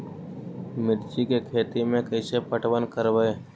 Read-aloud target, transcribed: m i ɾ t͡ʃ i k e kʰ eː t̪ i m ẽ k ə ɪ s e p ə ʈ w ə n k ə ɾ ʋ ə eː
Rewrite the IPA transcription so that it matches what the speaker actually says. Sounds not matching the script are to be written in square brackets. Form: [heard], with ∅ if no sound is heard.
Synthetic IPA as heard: m [ɪ] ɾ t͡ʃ i k e kʰ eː t̪ i m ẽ k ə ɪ s e p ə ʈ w ə n k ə ɾ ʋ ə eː